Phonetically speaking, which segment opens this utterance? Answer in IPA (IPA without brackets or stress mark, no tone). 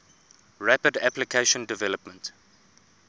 ɹ